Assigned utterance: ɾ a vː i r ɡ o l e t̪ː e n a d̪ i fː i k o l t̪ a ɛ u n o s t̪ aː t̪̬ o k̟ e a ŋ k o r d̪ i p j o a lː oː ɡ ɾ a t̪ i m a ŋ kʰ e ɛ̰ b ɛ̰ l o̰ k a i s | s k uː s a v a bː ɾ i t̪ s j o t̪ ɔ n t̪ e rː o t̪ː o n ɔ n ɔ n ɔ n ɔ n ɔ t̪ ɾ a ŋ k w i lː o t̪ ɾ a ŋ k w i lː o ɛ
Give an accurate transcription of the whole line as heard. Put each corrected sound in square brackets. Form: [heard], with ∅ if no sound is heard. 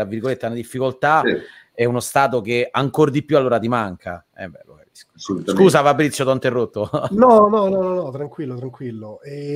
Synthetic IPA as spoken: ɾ a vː i r ɡ o l e t̪ː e n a d̪ i fː i k o l t̪ a ɛ u n o s t̪ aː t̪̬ o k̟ e a ŋ k o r d̪ i p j [u] a lː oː [∅] ɾ a t̪ i m a ŋ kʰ [a] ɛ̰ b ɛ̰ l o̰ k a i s | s k uː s a [f] a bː ɾ i t̪ s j o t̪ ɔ n t̪ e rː o t̪ː o n ɔ n ɔ n ɔ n ɔ n ɔ t̪ ɾ a ŋ k w i lː o t̪ ɾ a ŋ k w i lː o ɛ